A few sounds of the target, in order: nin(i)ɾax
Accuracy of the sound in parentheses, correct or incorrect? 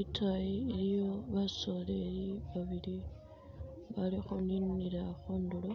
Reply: correct